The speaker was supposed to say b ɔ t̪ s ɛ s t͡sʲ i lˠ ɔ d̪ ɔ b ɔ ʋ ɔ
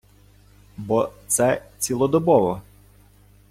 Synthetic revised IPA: b ɔ t̪ s ɛ t͡sʲ i lˠ ɔ d̪ ɔ b ɔ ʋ ɔ